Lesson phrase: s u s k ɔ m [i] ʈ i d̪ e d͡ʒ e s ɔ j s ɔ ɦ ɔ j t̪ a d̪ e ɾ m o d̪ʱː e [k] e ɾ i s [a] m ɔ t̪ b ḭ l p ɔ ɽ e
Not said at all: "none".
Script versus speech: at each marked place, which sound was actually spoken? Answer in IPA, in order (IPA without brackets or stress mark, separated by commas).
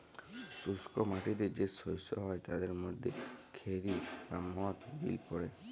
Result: a, kʰ, a